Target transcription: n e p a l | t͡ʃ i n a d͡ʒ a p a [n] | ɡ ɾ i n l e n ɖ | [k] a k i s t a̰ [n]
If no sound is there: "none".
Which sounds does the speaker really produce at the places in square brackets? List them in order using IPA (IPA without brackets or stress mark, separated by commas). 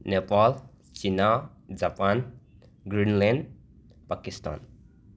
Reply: n, p, n